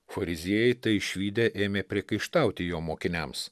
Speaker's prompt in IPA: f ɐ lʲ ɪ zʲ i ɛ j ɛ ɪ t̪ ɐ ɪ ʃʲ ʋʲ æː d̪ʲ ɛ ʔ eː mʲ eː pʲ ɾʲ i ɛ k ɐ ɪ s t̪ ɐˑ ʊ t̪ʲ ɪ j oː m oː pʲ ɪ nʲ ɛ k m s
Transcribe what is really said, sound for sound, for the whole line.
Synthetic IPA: f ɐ ɾʲ ɪ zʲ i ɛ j ɛ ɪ t̪ ɐ ɪ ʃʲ ʋʲ iː d̪ʲ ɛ ʔ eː mʲ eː pʲ ɾʲ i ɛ k ɐ ɪ ʃ t̪ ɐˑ ʊ t̪ʲ ɪ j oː m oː kʲ ɪ nʲ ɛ m s